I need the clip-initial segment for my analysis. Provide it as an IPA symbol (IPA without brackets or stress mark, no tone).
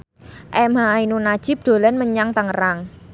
ʔ